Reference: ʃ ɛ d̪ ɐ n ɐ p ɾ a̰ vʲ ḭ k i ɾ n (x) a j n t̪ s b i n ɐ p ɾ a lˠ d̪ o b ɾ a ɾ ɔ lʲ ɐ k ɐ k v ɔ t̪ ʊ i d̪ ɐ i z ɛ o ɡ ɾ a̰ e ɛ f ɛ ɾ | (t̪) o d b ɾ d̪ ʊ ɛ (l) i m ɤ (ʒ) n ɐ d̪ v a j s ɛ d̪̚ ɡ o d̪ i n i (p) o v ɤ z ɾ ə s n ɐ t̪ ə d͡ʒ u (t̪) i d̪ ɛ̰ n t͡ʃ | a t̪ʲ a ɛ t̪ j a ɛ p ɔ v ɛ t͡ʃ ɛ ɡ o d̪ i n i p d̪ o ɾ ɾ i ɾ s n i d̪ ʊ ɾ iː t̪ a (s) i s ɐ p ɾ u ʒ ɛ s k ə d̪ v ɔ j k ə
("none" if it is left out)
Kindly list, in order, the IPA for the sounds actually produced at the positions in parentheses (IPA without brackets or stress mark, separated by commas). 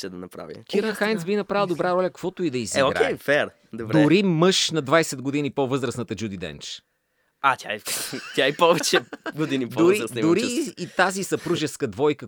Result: x, d̪, ɾ, ʃ, p, d̪, z